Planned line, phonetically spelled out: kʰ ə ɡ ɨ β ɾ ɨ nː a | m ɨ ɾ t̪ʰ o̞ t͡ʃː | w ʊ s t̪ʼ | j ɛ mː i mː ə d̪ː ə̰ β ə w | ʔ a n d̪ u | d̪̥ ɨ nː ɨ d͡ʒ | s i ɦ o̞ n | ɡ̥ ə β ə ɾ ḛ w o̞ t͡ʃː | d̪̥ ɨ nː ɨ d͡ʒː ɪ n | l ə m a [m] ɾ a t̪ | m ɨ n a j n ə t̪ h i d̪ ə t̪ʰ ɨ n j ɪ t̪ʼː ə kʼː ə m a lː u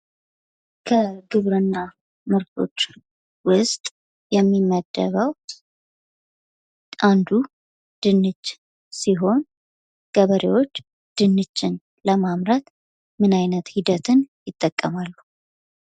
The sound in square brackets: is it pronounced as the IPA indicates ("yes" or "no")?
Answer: yes